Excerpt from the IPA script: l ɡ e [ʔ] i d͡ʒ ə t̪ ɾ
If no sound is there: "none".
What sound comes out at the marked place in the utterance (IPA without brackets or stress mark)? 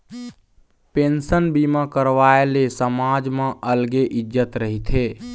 ʔ